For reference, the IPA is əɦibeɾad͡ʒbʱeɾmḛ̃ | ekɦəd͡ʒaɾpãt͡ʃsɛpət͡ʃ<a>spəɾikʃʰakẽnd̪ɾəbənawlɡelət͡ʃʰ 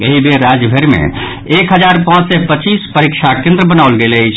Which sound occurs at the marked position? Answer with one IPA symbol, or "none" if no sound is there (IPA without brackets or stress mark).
i